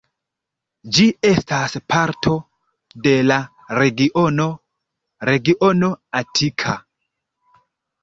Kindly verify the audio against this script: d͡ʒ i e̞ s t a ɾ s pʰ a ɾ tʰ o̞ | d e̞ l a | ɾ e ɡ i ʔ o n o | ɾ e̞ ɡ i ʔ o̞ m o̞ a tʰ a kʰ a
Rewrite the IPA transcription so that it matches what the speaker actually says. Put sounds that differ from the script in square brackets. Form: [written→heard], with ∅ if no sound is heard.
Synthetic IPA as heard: d͡ʒ i e̞ s t a [ɾ→∅] s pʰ a ɾ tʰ o̞ | d e̞ l a | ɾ e ɡ i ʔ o n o | ɾ e̞ ɡ i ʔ o̞ [m→n] o̞ a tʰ [a→i] kʰ a